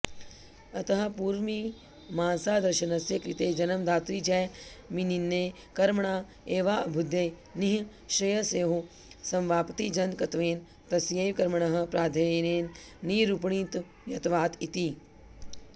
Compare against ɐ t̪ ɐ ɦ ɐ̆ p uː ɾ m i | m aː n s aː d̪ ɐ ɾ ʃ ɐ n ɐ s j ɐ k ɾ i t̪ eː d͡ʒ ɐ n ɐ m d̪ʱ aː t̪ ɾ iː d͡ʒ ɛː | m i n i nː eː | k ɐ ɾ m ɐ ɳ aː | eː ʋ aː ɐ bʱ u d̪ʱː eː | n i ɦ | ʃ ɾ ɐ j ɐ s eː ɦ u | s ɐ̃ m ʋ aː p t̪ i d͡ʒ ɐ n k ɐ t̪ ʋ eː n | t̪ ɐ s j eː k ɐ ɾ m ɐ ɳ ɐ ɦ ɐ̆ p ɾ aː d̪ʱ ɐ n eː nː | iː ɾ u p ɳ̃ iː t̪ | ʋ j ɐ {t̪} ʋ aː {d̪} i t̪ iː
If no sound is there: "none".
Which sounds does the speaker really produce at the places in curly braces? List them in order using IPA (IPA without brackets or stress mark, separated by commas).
t̪, t̪